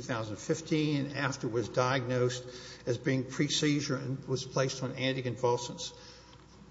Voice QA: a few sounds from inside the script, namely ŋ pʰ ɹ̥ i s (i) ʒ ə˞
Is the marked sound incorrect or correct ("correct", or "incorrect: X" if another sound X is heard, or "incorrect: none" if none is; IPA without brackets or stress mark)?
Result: correct